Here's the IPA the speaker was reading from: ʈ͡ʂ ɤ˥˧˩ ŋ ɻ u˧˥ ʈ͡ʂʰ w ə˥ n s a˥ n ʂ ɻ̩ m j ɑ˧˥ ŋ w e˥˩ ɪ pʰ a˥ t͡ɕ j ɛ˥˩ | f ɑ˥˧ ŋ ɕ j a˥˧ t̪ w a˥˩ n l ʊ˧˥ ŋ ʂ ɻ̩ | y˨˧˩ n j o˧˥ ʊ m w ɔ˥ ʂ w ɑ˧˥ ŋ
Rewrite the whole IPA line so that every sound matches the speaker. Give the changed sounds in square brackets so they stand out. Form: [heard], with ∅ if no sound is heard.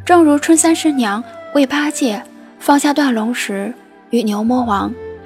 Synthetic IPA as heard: ʈ͡ʂ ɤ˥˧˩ ŋ ɻ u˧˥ ʈ͡ʂʰ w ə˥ n s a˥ n ʂ ɻ̩ [n] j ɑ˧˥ ŋ w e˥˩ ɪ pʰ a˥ t͡ɕ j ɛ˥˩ | f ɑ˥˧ ŋ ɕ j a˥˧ t̪ w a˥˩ n l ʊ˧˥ ŋ ʂ ɻ̩ | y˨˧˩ n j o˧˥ ʊ m w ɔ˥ [x] w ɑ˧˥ ŋ